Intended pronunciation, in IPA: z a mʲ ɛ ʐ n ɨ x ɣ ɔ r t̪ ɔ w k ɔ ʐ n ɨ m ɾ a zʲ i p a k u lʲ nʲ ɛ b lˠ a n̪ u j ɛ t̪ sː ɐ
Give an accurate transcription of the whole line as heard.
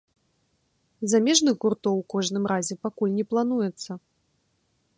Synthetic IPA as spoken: z a mʲ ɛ ʐ n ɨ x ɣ u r t̪ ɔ w k ɔ ʐ n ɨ m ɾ a zʲ ɛ p a k u lʲ nʲ ɛ p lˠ a n̪ u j ɛ t̪ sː ɐ